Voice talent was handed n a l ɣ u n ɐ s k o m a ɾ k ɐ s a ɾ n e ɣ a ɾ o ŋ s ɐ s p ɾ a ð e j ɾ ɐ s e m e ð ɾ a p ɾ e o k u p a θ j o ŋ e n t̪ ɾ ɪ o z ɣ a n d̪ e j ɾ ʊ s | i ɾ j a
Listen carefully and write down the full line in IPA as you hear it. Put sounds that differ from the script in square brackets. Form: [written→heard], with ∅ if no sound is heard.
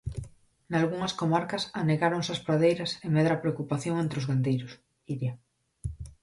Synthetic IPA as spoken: n a l ɣ u [n→ŋ] ɐ s k o m a ɾ k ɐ s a [ɾ→∅] n e ɣ a ɾ o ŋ s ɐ s p ɾ a ð e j ɾ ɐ s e m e ð ɾ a p ɾ e o k u p a θ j o ŋ e n t̪ ɾ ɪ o z ɣ a n d̪ e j ɾ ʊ s | i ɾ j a